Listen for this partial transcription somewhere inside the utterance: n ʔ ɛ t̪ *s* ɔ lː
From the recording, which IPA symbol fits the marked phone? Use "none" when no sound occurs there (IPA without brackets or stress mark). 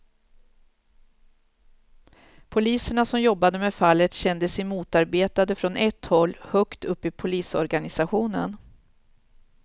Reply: h